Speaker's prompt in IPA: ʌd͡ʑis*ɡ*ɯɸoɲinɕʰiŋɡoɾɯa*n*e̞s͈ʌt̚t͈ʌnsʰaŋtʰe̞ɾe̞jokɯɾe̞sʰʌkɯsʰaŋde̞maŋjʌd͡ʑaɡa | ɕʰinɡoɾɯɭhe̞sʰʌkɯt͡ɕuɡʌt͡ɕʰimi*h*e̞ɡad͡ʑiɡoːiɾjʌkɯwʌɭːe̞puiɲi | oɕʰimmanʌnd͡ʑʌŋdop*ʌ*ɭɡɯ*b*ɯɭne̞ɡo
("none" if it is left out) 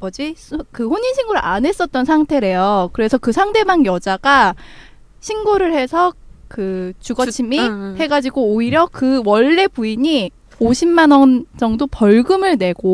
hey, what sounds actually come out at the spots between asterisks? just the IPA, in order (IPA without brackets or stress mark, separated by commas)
k, n, h, ʌ, m